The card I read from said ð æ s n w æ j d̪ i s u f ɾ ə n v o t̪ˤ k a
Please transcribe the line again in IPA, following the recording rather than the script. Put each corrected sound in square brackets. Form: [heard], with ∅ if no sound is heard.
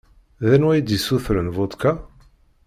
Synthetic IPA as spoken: ð æ [∅] n w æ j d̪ i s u [θ] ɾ ə n v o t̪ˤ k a